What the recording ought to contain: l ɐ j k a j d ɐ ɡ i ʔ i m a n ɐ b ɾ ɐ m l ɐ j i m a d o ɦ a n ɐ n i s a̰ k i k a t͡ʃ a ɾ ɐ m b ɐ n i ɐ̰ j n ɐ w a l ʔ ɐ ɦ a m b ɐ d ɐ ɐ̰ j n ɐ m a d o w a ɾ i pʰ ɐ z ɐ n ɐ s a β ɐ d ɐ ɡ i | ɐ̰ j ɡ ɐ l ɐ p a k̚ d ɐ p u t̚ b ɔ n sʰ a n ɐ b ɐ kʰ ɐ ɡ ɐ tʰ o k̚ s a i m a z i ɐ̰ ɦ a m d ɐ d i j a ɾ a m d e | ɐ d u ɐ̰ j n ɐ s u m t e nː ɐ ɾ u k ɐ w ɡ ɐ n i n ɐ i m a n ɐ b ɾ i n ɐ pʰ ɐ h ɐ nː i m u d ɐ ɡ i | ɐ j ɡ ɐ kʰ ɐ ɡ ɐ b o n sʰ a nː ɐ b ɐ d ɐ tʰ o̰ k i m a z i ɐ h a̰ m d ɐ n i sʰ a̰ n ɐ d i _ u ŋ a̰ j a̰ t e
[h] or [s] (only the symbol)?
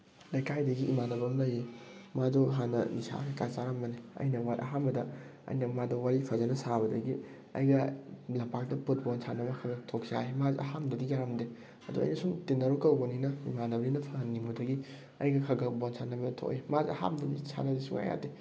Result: s